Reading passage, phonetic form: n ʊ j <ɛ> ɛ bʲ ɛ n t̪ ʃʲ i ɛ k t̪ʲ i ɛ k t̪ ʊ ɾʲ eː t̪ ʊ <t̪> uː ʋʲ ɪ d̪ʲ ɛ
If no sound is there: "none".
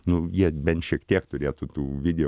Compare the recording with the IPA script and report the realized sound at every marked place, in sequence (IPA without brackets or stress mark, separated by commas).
i, t̪